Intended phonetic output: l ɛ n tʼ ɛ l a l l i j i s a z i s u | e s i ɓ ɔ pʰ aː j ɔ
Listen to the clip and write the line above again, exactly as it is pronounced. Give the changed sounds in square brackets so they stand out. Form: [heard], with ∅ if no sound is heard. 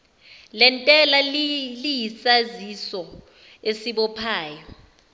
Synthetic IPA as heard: l ɛ n tʼ ɛ l a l l i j i s a z i s [ɔ] | e s i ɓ ɔ pʰ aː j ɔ